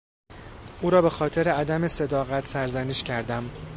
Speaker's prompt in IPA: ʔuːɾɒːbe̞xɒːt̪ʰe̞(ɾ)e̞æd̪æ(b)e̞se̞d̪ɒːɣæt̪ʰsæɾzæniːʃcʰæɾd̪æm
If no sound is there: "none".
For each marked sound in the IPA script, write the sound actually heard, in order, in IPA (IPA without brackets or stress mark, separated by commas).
ɾ, m